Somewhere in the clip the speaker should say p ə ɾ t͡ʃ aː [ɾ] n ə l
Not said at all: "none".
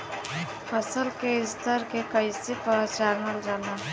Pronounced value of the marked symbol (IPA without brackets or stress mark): ɾ